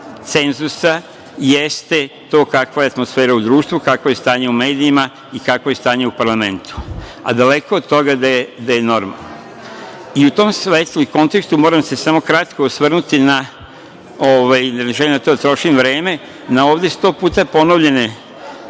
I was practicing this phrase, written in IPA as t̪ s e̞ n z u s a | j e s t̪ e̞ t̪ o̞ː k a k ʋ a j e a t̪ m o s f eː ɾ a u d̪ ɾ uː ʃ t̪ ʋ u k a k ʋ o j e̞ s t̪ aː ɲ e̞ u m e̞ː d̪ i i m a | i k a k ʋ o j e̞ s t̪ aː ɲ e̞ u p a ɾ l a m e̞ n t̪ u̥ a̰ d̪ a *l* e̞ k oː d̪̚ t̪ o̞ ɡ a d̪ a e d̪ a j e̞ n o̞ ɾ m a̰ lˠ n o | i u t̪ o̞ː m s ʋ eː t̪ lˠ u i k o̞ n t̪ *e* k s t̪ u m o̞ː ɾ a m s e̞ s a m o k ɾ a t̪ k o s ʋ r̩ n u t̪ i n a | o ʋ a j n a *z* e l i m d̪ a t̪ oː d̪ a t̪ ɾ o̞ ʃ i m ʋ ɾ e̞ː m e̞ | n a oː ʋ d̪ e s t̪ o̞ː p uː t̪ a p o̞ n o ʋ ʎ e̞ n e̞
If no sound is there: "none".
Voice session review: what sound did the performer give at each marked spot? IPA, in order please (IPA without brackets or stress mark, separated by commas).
l, e, ʒ